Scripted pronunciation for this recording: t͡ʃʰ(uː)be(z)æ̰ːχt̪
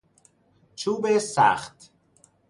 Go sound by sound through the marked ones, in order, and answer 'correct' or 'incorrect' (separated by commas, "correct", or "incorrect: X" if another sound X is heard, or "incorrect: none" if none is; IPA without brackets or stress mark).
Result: correct, incorrect: s